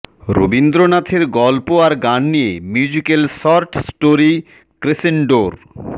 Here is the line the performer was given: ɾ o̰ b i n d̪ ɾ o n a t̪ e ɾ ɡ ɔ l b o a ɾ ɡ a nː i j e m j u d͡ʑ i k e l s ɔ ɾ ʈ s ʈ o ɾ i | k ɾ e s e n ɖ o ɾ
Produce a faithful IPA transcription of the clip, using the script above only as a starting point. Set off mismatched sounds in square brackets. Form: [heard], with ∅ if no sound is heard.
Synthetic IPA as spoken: ɾ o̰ b i n d̪ ɾ o n a [t̪ʰ] e ɾ ɡ ɔ l [p] o a ɾ ɡ a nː i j e m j u d͡ʑ i k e l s ɔ ɾ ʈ s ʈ o ɾ i | k ɾ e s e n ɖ o ɾ